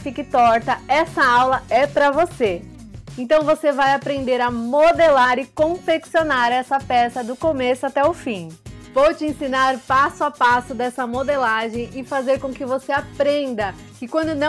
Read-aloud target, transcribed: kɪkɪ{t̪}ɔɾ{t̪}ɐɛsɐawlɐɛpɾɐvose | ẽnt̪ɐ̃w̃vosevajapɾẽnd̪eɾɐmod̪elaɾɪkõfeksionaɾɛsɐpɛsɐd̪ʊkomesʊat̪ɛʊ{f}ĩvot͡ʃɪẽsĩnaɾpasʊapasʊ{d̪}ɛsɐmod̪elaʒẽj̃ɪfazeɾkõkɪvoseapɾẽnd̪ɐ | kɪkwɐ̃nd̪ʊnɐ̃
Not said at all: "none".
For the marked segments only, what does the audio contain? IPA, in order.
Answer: t̪, t̪, f, d̪

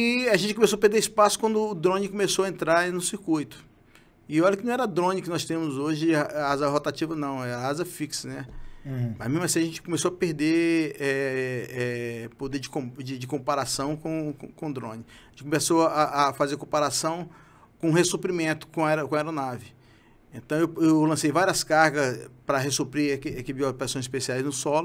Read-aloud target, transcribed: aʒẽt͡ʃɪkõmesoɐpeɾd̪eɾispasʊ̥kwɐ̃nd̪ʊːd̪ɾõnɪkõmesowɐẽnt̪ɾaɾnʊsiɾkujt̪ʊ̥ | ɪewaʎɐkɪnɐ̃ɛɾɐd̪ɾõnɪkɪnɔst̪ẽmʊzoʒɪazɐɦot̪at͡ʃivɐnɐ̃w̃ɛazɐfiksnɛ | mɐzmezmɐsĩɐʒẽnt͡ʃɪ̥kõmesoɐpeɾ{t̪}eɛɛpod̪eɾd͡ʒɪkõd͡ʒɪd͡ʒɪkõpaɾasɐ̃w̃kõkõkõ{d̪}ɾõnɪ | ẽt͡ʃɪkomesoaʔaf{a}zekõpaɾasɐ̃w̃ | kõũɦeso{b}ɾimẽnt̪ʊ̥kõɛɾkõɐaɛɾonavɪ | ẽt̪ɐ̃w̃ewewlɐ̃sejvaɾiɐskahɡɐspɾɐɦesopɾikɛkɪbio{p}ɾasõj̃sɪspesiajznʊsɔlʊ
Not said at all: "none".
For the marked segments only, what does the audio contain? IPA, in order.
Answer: d̪, d̪, a, p, p

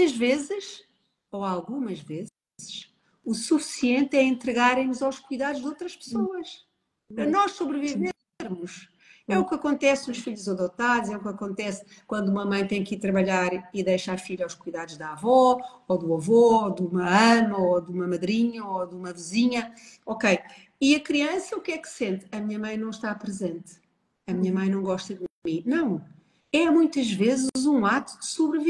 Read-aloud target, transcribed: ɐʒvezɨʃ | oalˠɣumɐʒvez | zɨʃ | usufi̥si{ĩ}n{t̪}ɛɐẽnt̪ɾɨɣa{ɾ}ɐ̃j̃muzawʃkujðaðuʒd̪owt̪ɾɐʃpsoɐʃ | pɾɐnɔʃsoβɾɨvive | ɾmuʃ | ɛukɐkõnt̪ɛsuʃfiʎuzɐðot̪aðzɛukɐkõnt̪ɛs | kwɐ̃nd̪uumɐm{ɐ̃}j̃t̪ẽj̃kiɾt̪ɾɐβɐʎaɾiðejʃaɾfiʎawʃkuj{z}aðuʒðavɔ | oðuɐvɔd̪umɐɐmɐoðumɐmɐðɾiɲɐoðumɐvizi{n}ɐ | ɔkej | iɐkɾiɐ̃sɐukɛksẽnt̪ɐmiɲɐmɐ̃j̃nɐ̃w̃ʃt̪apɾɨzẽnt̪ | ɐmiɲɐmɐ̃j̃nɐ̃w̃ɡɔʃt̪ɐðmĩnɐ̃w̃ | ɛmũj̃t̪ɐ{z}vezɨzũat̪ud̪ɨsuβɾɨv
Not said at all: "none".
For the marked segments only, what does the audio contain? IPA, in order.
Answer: ẽ, t̪, ɾ, ɐ̃, ð, ɲ, ʒ

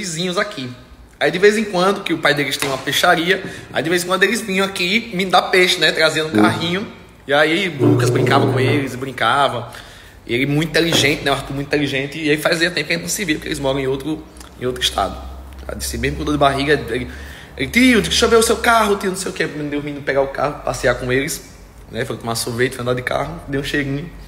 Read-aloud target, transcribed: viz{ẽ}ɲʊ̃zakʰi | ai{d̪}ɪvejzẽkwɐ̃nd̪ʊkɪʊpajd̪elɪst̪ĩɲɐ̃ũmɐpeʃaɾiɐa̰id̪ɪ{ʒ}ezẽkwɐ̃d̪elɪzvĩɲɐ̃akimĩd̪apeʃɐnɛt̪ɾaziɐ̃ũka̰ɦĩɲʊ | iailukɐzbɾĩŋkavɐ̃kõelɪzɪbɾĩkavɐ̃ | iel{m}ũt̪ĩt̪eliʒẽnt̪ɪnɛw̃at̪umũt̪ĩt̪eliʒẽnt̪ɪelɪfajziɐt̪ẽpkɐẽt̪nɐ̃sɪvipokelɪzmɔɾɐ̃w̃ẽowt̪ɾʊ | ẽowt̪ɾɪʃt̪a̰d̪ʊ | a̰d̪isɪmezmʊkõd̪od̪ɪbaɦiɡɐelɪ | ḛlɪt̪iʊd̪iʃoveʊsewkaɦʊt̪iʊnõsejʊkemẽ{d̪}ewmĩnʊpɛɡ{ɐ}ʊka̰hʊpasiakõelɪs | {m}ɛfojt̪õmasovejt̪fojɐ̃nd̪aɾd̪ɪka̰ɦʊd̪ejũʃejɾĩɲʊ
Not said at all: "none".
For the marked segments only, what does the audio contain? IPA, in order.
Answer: ĩ, d̪, v, m, d̪, a, n

